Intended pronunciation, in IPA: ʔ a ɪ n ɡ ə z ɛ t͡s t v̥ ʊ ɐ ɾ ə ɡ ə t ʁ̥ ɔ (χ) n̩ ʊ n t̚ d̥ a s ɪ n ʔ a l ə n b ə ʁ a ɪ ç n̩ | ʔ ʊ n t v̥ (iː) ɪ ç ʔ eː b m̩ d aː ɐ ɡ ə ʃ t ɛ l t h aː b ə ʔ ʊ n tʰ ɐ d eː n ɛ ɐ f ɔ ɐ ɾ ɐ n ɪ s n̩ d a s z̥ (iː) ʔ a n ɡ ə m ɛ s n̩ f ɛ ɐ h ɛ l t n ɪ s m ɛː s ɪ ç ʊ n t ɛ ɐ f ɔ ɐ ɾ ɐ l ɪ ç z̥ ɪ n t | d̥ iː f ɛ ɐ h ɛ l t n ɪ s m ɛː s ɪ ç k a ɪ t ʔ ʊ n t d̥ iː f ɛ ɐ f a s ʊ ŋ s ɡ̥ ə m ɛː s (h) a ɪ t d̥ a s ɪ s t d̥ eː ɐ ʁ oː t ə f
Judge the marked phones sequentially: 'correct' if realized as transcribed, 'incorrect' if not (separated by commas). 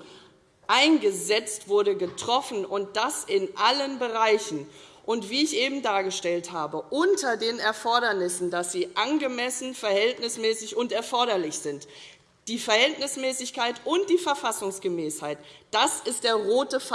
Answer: incorrect, correct, correct, correct